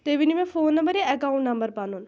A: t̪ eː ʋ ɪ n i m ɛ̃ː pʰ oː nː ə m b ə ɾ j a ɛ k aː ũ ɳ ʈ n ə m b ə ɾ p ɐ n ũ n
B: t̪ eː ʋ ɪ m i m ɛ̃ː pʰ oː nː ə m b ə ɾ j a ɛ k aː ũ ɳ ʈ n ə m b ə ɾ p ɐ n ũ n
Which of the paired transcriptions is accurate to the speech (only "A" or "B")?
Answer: A